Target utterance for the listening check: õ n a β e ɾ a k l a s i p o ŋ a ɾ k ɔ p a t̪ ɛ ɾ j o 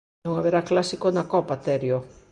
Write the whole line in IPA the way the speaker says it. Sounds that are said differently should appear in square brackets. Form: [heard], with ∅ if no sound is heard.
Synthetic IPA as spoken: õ [ŋ] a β e ɾ a k l a s i [k] o [n] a [∅] k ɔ p a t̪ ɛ ɾ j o